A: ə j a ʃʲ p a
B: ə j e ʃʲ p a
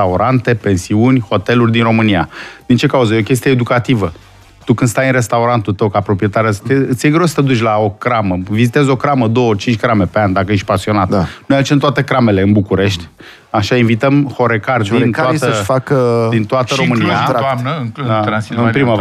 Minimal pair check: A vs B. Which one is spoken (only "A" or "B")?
B